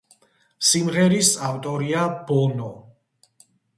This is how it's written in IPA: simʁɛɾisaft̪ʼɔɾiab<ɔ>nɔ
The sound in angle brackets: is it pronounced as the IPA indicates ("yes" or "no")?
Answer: yes